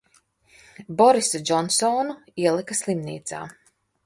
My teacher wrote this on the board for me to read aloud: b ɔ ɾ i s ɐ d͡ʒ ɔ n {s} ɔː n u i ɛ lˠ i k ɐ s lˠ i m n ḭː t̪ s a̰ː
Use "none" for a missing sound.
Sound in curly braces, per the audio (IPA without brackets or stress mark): s